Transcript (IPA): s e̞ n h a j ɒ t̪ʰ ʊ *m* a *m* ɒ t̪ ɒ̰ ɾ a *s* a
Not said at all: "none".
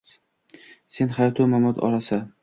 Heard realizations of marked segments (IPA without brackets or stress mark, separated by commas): m, m, s